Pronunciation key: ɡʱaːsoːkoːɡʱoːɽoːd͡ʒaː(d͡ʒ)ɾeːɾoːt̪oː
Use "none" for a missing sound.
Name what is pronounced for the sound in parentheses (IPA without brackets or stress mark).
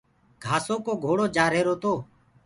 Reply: none